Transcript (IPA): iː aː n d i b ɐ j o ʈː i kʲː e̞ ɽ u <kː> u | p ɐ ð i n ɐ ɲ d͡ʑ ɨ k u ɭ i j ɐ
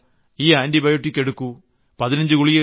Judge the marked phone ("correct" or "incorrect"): correct